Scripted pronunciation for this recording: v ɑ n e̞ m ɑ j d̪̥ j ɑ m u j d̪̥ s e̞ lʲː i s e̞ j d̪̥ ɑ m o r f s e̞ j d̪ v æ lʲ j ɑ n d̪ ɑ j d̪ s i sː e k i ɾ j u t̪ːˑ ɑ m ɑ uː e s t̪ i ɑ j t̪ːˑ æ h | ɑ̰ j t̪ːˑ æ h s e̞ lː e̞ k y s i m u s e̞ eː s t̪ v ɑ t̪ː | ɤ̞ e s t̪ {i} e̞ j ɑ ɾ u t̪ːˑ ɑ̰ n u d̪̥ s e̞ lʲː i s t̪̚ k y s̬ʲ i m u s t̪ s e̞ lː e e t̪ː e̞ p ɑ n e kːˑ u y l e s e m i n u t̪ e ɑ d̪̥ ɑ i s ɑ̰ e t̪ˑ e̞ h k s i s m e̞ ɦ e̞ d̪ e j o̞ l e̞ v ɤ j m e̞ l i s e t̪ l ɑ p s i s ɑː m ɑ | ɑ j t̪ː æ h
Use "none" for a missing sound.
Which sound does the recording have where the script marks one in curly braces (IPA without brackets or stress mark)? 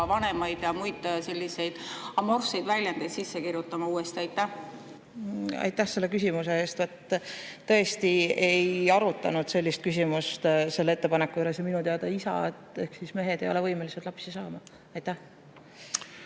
i